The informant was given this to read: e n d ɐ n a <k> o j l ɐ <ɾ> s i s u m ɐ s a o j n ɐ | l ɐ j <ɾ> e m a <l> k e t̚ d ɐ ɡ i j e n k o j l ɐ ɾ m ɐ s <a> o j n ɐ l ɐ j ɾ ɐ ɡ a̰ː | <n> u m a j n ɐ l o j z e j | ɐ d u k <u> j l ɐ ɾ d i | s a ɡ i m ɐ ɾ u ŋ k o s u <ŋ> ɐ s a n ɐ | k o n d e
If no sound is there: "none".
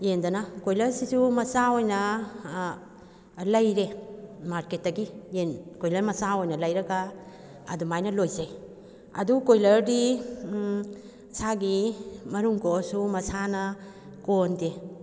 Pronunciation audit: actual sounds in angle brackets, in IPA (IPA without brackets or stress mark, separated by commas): k, ɾ, ɾ, ɾ, a, d, o, m